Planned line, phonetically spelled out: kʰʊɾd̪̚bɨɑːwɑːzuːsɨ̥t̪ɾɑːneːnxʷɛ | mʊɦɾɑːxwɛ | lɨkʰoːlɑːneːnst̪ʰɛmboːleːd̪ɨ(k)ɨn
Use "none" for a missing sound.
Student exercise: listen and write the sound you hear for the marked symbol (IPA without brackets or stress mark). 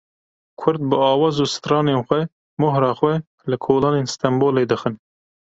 x